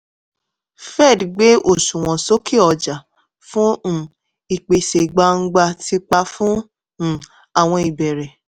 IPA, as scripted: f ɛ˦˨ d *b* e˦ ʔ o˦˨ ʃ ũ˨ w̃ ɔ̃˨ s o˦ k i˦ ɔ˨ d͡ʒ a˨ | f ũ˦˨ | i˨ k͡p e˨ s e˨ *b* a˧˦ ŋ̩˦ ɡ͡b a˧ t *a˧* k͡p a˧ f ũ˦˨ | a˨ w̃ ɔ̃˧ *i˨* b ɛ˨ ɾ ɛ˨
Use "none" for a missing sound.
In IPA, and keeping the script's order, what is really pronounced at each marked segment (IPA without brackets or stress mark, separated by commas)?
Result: ɡ͡b, ɡ͡b, i˧, i˨